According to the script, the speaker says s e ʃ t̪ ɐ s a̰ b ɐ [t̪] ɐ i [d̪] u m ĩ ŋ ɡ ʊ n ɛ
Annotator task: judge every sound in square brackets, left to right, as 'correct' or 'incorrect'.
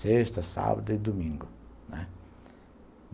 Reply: incorrect: d̪, correct

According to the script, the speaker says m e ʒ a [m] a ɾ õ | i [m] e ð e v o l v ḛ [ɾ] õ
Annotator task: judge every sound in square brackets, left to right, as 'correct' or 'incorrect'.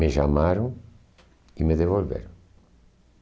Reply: correct, correct, correct

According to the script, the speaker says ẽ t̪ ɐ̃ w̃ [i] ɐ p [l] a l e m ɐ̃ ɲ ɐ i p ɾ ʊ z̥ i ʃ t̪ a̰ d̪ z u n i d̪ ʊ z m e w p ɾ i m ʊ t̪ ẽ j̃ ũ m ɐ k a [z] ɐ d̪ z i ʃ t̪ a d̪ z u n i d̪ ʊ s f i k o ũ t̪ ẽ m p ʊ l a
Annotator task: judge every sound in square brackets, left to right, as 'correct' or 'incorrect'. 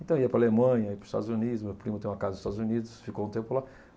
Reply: correct, incorrect: ɾ, correct

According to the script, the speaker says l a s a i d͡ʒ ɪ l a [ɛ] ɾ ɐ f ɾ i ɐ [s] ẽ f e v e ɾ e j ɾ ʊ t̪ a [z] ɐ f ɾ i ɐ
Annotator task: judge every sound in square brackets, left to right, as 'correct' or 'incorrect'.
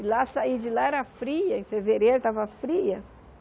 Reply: correct, incorrect: none, incorrect: v

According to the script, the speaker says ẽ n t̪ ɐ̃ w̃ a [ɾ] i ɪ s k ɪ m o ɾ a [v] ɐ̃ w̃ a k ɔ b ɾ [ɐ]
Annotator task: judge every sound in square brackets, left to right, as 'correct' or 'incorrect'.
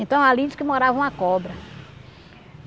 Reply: incorrect: l, correct, correct

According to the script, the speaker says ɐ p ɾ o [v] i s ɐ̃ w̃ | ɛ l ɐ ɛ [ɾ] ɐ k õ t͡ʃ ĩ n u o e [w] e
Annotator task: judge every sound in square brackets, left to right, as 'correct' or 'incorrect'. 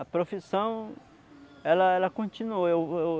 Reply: incorrect: f, incorrect: l, correct

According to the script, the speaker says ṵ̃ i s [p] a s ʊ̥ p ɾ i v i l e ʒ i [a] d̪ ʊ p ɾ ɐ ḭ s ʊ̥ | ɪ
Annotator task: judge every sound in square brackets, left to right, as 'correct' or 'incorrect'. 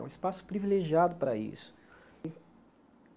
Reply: correct, correct

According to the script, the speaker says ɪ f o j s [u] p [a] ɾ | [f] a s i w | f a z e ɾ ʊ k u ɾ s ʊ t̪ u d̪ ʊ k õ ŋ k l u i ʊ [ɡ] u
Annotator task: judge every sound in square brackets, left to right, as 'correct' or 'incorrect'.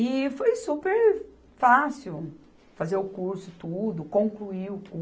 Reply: correct, incorrect: e, correct, incorrect: k

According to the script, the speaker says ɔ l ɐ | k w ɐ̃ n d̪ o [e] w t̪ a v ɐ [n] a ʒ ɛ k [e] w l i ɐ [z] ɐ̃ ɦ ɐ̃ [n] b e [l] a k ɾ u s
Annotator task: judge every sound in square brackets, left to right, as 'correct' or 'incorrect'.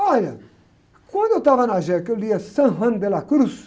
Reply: correct, correct, correct, incorrect: s, correct, correct

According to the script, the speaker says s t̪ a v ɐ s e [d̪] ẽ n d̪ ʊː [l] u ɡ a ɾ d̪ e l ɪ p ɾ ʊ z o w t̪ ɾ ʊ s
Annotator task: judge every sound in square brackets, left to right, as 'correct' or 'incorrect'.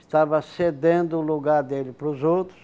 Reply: correct, correct

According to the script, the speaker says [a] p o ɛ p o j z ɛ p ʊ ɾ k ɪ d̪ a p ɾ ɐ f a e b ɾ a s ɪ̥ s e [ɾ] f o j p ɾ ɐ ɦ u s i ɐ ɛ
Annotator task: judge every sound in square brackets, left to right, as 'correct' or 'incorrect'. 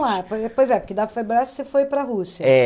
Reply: correct, incorrect: none

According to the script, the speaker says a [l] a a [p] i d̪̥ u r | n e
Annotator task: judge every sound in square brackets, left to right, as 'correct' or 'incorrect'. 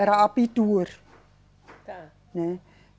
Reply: incorrect: ɾ, correct

